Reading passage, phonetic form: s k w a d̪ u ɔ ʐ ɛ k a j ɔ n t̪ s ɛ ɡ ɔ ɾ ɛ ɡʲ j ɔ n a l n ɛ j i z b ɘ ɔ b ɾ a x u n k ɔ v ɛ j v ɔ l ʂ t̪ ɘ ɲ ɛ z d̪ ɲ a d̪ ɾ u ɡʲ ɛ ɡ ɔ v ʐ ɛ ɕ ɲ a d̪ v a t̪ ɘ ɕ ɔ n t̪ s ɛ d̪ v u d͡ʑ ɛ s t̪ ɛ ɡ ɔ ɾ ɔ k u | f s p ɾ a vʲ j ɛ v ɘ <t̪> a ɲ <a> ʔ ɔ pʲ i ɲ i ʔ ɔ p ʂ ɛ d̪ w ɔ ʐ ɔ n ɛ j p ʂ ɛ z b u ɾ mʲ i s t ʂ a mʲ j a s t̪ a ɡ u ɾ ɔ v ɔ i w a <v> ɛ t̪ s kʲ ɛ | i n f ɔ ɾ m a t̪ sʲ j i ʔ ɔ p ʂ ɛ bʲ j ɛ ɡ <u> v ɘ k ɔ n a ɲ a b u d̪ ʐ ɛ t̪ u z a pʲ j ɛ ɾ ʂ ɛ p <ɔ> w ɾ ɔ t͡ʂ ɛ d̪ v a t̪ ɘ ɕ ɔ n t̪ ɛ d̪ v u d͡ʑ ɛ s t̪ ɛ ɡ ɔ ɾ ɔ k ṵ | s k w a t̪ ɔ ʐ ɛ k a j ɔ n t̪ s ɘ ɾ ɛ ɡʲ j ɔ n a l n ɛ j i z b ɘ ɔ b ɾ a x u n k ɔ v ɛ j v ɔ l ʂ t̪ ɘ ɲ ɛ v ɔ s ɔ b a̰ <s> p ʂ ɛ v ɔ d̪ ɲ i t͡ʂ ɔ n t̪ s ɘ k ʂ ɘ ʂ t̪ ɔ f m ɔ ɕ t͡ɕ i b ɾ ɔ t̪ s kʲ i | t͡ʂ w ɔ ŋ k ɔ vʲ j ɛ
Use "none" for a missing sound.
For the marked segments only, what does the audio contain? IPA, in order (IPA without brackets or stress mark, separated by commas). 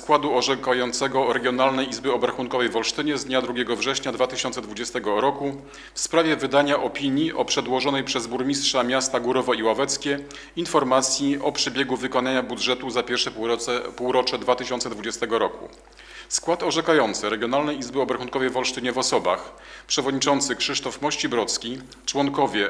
d̪, a, v, u, u, x